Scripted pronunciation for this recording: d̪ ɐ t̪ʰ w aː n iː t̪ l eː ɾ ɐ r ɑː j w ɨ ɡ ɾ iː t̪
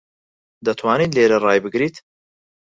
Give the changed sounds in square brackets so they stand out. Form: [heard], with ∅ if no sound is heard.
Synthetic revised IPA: d̪ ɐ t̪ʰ w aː n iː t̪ l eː ɾ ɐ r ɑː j [b] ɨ ɡ ɾ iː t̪